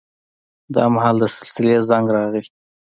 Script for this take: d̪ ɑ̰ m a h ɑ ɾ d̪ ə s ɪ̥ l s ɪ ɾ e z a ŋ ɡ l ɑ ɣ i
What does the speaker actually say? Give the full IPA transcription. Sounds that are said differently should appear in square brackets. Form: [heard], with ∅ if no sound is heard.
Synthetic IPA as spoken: d̪ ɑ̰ m a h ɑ [l] d̪ ə s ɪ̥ l s ɪ [l] e z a ŋ ɡ [ɾ] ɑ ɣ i